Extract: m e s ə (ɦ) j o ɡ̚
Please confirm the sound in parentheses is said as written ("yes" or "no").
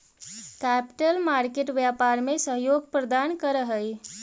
yes